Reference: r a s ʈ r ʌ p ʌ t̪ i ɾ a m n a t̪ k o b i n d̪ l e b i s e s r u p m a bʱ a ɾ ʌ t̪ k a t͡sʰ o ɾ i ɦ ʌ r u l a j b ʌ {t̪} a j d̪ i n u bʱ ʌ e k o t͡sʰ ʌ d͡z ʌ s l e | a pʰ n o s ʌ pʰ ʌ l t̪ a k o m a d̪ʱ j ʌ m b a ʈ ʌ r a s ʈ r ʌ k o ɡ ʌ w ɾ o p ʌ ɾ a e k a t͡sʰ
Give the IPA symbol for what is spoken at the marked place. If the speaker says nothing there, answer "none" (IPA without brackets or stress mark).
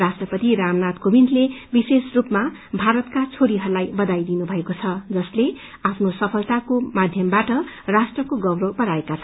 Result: d̪